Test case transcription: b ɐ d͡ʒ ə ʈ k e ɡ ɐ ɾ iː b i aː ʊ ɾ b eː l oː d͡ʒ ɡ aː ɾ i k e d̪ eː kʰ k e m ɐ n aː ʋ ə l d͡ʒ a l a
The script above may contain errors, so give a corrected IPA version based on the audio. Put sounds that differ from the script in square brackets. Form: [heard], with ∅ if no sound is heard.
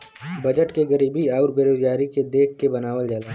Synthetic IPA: b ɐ d͡ʒ ə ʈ k e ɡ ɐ ɾ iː b i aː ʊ ɾ b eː [ɾ] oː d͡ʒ ɡ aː ɾ i k e d̪ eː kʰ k e [b] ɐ n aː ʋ ə l d͡ʒ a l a